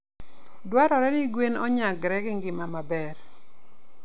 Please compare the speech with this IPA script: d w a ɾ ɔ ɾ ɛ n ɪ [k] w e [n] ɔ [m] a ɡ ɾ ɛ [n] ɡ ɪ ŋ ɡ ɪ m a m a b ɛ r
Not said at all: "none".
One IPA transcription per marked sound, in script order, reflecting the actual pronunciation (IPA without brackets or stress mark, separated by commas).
ɡ, n, ɲ, none